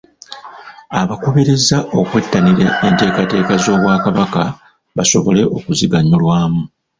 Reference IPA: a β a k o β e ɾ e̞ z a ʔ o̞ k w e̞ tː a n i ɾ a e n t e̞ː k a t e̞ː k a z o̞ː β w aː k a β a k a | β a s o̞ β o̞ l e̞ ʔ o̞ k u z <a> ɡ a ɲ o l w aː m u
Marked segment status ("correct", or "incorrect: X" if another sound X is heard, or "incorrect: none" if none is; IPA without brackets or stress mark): incorrect: i